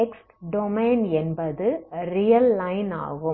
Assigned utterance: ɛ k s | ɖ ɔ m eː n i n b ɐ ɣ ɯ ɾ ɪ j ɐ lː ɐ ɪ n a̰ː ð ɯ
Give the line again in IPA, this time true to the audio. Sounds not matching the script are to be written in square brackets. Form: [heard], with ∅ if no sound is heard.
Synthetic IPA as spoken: ɛ k s | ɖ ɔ m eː n [ɛ] n b ɐ [ð] ɯ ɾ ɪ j ɐ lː ɐ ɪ n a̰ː [ɣ] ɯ